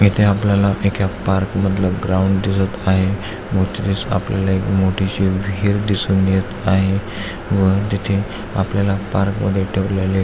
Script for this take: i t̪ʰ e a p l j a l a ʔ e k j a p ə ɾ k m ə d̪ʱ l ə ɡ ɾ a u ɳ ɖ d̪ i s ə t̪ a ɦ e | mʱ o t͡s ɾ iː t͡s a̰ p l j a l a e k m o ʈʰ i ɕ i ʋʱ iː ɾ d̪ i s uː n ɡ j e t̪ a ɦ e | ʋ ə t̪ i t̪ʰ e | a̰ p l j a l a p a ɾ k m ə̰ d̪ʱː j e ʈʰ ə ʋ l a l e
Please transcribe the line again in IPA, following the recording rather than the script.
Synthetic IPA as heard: i t̪ʰ e a p l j a l a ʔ e k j a p a ɾ k m ə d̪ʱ l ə ɡ ɾ a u ɳ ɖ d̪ i s ə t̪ a ɦ e | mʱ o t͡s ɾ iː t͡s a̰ p l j a l a e k m o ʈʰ i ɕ i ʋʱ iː ɾ d̪ i s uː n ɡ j e t̪ a ɦ e | ʋ ə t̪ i t̪ʰ e | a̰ p l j a l a p a ɾ k m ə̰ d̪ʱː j e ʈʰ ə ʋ l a l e